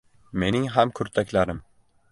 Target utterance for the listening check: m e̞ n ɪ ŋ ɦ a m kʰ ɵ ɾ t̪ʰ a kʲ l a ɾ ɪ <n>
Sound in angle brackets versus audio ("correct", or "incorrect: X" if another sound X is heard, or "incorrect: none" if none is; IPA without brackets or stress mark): incorrect: m